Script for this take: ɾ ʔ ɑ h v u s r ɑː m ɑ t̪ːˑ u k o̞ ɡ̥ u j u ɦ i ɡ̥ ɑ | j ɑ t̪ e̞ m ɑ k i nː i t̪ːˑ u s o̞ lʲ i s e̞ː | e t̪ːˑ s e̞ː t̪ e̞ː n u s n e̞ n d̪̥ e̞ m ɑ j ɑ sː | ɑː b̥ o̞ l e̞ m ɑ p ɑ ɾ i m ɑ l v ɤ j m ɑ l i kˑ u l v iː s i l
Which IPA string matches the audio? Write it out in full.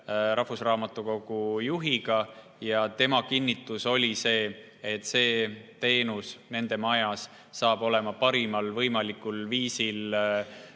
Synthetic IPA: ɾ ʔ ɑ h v u s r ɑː m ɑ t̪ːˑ u k o̞ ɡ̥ u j u ɦ i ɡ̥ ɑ | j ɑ t̪ e̞ m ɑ k i nː i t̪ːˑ u s o̞ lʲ i s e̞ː | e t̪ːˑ s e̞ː t̪ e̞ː n u s n e̞ n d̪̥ e̞ m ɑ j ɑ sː | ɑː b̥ o̞ l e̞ m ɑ p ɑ ɾ i m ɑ l v ɤ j m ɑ l i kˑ u l v iː s i l